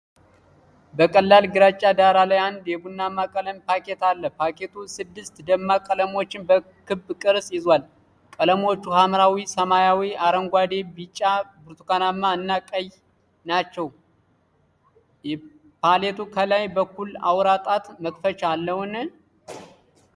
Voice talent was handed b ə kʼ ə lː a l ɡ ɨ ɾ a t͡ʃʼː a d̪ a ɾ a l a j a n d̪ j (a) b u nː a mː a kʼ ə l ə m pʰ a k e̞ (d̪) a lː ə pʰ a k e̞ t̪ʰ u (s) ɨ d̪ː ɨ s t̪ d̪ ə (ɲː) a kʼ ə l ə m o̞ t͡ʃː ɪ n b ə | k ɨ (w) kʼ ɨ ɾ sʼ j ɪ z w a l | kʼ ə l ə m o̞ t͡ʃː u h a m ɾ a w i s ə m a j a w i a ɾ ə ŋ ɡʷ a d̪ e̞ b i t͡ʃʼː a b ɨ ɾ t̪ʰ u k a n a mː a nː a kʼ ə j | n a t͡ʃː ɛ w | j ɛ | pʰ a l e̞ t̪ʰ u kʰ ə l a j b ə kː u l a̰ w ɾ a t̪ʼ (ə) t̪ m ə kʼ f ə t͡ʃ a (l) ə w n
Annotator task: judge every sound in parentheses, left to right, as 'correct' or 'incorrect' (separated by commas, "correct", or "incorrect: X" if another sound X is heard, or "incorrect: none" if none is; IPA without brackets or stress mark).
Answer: incorrect: ɛ, incorrect: t̪, correct, incorrect: mː, incorrect: b, incorrect: a, incorrect: lː